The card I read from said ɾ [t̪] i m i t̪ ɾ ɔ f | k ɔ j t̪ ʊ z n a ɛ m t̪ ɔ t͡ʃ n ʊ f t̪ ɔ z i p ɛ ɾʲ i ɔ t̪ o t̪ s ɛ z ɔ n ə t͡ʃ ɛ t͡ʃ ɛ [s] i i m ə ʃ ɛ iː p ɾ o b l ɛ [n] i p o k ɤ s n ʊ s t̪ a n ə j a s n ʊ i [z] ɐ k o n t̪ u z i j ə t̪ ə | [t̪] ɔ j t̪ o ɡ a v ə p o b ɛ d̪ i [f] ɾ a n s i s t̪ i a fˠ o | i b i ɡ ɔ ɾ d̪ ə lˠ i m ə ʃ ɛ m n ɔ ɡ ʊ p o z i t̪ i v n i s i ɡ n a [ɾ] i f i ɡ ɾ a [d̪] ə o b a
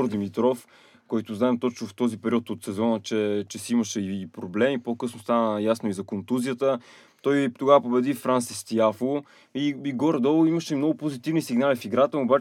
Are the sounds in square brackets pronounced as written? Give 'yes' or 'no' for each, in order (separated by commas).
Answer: no, yes, no, yes, yes, yes, no, no